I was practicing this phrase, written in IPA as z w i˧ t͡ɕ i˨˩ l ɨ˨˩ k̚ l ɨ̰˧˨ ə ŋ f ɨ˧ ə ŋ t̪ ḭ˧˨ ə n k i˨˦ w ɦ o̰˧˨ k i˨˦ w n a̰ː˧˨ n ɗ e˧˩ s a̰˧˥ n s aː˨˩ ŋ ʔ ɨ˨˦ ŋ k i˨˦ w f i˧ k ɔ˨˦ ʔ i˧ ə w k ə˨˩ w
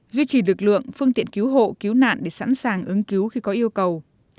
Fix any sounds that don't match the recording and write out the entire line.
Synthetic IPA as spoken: z w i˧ t͡ɕ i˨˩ l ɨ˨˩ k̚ l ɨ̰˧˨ ə ŋ f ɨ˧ ə ŋ t̪ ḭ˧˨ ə n k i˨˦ w ɦ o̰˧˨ k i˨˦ w n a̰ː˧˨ n ɗ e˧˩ s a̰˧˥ n s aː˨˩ ŋ ʔ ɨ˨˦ ŋ k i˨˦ w x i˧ k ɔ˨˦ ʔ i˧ ə w k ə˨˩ w